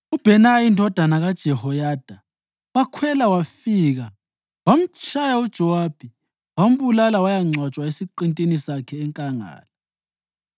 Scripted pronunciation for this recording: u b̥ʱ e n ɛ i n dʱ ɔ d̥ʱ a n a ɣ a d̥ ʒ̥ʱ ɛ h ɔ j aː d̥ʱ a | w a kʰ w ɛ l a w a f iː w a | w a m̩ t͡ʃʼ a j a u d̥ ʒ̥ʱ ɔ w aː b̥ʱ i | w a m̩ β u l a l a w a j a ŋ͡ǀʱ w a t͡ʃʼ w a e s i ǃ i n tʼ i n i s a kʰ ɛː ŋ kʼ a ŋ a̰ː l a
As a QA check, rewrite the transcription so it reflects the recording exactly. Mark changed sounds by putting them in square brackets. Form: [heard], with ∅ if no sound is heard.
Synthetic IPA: u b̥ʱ [ɛ] n [a] i n dʱ ɔ d̥ʱ a n a ɣ a d̥ ʒ̥ʱ ɛ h ɔ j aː d̥ʱ a | w a kʰ w ɛ l a w a f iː [ɣ] a | w a m̩ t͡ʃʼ a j a u d̥ ʒ̥ʱ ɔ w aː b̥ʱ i | w a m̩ β u l a l a w a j a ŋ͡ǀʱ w a t͡ʃʼ w a e s i ǃ i n tʼ i n i s a kʰ ɛː ŋ kʼ a ŋ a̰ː l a